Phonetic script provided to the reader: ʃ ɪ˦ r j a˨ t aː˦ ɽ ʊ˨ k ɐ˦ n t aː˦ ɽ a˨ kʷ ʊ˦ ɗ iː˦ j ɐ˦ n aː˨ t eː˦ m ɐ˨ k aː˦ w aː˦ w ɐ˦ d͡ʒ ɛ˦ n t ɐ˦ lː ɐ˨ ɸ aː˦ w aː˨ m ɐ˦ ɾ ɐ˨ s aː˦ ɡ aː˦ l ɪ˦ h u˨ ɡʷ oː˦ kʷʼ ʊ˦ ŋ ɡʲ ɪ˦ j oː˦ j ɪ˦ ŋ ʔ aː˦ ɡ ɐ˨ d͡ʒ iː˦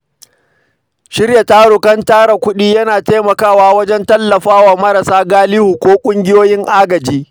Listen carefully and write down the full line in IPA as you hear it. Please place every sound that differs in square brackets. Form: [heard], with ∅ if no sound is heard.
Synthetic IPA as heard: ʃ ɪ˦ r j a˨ t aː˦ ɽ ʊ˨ k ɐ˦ n t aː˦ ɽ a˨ kʷ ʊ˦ ɗ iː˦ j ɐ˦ n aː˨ t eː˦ m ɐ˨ k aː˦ w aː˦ w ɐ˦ d͡ʒ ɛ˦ n t ɐ˦ lː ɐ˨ ɸ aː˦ w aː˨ m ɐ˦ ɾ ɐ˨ s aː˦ ɡ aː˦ l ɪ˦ h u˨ [kʷ] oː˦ kʷʼ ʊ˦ ŋ ɡʲ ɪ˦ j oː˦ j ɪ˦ ŋ ʔ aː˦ ɡ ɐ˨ d͡ʒ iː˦